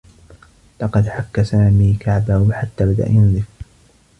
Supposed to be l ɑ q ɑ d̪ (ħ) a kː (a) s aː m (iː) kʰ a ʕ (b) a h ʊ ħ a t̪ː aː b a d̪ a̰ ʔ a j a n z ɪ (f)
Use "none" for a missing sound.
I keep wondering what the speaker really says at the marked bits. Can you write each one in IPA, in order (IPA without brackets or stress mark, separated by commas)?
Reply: ħ, a, iː, b, f